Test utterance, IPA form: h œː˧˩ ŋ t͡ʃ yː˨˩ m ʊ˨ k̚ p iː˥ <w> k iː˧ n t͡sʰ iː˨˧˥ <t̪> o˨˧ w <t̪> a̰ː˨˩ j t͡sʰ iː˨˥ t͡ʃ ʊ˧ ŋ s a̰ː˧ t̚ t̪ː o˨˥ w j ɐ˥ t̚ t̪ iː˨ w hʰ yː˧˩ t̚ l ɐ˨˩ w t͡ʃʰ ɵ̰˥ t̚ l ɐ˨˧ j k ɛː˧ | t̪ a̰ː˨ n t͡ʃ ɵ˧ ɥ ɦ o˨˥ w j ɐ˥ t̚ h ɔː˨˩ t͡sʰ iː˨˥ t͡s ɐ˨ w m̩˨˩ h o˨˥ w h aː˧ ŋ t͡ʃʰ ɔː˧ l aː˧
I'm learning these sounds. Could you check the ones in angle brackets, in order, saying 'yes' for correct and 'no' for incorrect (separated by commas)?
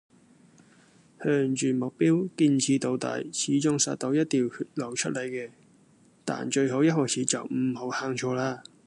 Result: yes, yes, yes